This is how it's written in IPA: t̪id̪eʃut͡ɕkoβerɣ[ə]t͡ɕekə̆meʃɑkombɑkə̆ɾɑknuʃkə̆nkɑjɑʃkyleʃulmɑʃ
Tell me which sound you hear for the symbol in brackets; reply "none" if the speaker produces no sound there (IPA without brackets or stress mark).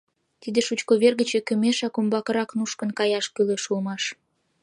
ə